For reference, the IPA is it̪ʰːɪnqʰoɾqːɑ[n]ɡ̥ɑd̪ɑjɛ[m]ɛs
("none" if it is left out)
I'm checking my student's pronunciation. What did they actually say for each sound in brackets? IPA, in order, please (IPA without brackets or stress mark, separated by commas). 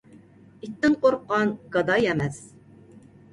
n, m